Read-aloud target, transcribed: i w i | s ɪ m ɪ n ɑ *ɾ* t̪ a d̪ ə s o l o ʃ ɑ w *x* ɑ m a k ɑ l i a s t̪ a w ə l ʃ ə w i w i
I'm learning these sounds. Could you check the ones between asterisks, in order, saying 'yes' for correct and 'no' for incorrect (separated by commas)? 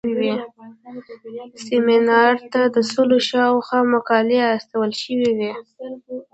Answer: yes, yes